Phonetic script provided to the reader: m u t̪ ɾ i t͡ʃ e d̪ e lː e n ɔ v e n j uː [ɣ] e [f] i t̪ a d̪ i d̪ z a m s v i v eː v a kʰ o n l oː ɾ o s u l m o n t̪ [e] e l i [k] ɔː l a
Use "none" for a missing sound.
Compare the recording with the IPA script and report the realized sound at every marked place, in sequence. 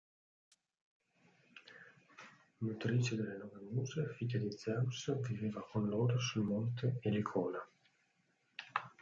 z, f, e, kʰ

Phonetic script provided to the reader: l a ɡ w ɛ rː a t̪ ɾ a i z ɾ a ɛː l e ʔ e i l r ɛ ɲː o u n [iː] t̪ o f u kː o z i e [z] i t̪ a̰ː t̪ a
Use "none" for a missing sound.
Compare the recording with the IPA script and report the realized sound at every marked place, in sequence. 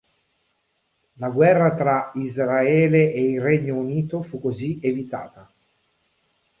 iː, v

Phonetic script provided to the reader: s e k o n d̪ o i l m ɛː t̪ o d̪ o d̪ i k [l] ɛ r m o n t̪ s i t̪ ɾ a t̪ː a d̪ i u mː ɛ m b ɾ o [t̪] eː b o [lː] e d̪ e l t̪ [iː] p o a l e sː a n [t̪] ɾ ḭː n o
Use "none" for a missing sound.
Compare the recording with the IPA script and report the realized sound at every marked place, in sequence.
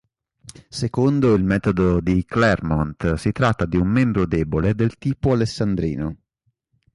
l, d̪, l, iː, d̪

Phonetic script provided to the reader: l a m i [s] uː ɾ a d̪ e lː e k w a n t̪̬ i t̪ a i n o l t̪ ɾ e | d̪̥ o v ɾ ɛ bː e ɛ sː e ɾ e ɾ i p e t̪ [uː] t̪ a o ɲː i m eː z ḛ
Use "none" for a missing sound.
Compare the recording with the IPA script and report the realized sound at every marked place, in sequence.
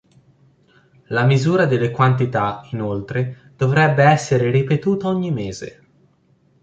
z, uː

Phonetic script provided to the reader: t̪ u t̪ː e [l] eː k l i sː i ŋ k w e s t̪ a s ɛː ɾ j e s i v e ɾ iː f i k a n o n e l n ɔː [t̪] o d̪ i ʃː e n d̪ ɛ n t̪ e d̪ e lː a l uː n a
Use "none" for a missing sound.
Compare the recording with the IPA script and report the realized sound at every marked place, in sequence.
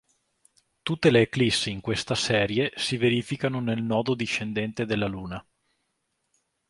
l, d̪

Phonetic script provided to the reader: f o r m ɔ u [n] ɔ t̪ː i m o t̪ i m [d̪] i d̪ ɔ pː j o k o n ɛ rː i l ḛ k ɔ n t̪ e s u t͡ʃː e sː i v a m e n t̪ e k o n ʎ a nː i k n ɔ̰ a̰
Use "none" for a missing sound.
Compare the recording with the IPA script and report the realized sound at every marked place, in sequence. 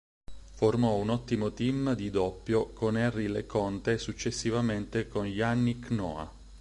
n, d̪

